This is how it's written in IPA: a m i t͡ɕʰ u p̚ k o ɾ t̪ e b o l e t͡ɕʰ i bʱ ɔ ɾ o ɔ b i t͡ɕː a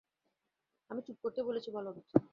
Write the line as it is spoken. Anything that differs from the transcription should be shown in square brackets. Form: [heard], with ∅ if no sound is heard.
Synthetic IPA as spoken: a m i [t͡ɕ] u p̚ k o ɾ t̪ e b o l e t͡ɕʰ i bʱ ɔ [l] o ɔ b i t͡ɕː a

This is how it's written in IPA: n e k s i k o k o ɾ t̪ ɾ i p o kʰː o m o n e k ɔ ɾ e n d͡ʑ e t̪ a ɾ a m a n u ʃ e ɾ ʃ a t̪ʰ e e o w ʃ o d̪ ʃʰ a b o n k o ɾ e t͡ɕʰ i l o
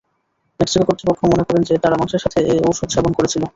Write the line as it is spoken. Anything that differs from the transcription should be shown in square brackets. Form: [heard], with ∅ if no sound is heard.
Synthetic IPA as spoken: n e k s i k o k o ɾ t̪ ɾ i p o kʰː o m o n e k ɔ ɾ e n d͡ʑ e t̪ a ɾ a m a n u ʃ e ɾ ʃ a t̪ʰ e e o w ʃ o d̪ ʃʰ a b o n k o ɾ e t͡ɕʰ i l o

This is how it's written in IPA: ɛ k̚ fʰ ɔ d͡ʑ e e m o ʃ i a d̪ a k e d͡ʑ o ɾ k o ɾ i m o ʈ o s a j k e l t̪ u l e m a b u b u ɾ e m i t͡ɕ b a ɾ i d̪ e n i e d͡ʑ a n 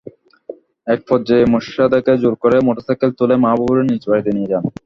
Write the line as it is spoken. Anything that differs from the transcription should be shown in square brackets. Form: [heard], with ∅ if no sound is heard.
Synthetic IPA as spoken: ɛ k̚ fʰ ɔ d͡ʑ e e m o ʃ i a d̪ a k e d͡ʑ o ɾ k o ɾ [e] m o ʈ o s a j k e l t̪ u l e m a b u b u ɾ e [n] i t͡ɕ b a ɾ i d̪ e n i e d͡ʑ a n

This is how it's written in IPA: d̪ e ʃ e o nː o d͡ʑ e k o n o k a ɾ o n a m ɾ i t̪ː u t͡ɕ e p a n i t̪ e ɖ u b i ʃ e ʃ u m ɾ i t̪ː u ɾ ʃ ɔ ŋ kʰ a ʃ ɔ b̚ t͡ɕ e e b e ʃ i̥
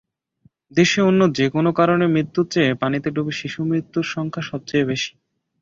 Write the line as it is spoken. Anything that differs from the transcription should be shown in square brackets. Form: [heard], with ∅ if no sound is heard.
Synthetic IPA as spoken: d̪ e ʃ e o nː o d͡ʑ e k o n o k a ɾ o n [e] m ɾ i t̪ː u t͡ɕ e p a n i t̪ e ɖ u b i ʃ [i] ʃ u m ɾ i t̪ː u ɾ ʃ ɔ ŋ kʰ a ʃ ɔ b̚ t͡ɕ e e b e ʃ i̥

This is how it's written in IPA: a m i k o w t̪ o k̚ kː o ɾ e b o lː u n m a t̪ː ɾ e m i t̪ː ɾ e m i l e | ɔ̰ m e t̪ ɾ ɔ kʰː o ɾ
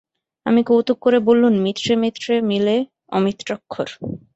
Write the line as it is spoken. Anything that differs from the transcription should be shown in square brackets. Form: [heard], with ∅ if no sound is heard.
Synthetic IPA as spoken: a m i k o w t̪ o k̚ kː o ɾ e b o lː u n m [i] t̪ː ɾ e m i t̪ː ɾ e m i l e | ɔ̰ m [i] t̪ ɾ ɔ kʰː o ɾ

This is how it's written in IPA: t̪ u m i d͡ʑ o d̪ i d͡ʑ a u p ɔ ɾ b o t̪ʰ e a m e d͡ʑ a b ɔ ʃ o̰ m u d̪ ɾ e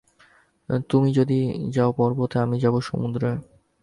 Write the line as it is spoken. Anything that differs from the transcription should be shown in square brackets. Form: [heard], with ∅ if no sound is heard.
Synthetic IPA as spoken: t̪ u m i d͡ʑ o d̪ i d͡ʑ a [o] p ɔ ɾ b o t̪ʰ e a m [i] d͡ʑ a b [o] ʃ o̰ m u d̪ ɾ e

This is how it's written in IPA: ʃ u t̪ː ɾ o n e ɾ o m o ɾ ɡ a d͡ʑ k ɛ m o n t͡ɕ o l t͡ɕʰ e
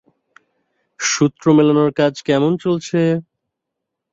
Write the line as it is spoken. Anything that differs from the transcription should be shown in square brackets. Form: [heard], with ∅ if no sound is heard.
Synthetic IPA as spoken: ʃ u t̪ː ɾ o [m] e [l] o [n] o ɾ [k] a d͡ʑ k ɛ m o n t͡ɕ o l t͡ɕʰ e

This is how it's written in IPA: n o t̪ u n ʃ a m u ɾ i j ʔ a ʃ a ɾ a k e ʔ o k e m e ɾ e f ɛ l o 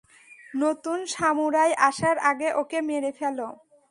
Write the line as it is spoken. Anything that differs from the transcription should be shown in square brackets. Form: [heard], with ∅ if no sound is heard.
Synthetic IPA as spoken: n o t̪ u n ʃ a m u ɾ [a] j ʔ a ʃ a ɾ a [ɡ] e ʔ o k e m e ɾ e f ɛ l o

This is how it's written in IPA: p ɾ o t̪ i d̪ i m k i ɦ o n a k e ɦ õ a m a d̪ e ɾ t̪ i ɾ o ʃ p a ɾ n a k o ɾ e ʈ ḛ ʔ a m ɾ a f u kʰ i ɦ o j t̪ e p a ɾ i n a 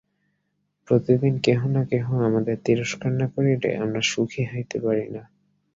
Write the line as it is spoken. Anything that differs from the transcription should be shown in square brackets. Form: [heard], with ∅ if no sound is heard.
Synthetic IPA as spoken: p ɾ o t̪ i d̪ i [n] k [e] ɦ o n a k e ɦ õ a m a d̪ e ɾ t̪ i ɾ o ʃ [k] a ɾ n a k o ɾ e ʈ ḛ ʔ a m ɾ a [ʃ] u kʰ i ɦ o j t̪ e p a ɾ i n a

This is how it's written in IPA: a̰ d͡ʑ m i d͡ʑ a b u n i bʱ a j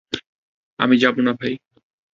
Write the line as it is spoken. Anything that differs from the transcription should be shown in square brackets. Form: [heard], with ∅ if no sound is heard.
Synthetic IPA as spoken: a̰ [∅] m i d͡ʑ a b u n [a] bʱ a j

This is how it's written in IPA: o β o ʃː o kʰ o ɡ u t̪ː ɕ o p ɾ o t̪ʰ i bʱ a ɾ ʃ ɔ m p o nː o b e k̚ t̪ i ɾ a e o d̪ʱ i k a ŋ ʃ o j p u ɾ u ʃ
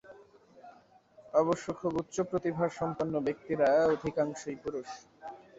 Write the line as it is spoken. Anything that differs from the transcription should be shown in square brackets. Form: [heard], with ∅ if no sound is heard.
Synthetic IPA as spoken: [ɔ] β o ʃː o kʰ o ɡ u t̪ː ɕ o p ɾ o [t̪] i bʱ a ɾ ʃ ɔ m p o nː o b e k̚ t̪ i ɾ a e o d̪ʱ i k a ŋ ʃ o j p u ɾ u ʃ

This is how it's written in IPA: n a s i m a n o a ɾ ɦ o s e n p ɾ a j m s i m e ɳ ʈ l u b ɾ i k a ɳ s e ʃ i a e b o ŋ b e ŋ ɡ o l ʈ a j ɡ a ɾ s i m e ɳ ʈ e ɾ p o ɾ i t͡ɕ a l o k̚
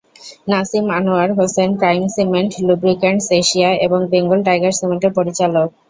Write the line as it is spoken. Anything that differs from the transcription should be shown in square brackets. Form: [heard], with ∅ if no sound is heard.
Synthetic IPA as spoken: n a s i m a n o a ɾ ɦ o s e n p ɾ a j m s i m e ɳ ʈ l u b ɾ i k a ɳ s e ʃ i a e b o ŋ b e ŋ ɡ o l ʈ a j ɡ a ɾ s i m e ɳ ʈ e ɾ p o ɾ i t͡ɕ a l o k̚

